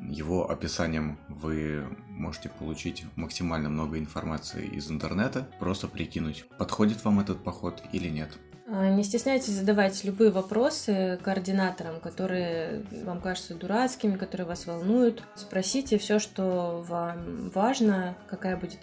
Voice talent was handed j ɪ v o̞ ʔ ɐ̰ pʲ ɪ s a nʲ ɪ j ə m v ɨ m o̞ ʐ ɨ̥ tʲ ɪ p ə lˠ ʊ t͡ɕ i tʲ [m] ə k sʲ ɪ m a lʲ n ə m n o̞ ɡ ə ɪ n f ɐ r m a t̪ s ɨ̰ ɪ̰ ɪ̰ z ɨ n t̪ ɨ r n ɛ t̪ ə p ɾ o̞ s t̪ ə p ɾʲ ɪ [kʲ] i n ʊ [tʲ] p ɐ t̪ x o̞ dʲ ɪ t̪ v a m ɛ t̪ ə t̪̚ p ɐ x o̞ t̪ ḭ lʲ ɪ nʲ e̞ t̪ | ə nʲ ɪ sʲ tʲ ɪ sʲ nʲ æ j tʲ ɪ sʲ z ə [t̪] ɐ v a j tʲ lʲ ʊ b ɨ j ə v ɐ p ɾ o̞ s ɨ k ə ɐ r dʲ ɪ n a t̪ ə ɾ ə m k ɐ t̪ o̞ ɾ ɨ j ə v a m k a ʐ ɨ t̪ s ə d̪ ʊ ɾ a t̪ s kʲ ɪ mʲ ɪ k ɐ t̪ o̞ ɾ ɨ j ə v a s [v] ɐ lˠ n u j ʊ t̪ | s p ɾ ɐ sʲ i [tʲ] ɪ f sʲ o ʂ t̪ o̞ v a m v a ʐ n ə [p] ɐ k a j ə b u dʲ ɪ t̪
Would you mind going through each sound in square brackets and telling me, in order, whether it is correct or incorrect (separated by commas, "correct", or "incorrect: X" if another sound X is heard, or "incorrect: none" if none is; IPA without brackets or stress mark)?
correct, correct, correct, incorrect: d̪, correct, correct, incorrect: k